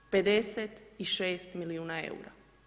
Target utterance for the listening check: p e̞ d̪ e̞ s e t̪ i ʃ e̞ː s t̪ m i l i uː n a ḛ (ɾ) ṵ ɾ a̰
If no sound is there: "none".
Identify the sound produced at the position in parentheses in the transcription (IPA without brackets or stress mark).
none